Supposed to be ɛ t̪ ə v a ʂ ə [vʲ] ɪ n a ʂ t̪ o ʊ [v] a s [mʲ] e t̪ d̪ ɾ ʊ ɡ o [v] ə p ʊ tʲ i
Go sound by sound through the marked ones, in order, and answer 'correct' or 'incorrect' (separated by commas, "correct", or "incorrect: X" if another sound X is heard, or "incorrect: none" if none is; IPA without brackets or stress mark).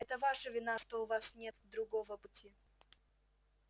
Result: correct, correct, incorrect: nʲ, correct